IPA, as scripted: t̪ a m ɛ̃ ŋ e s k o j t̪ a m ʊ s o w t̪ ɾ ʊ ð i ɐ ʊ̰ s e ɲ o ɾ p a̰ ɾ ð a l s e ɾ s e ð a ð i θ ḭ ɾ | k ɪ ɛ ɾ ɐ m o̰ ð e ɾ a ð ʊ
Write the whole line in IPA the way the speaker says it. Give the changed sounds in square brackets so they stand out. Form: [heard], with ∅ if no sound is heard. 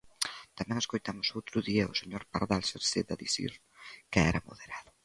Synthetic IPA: t̪ a m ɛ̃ ŋ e s k o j t̪ a m ʊ s o w t̪ ɾ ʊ ð i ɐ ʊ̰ s e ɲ o ɾ p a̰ ɾ ð a l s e ɾ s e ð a ð i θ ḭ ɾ | k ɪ ɛ ɾ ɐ m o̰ ð e ɾ a ð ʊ